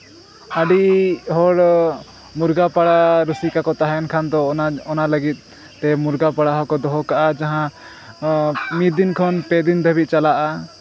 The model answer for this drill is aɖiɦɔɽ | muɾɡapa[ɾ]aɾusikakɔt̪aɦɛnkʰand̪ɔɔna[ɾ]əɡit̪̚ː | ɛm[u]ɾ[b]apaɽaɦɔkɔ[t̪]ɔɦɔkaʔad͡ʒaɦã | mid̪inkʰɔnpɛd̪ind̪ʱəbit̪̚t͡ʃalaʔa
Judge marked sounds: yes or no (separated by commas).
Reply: no, no, yes, no, no